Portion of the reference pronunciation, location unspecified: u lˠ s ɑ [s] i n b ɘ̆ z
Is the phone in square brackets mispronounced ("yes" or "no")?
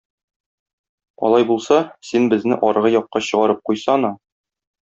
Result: no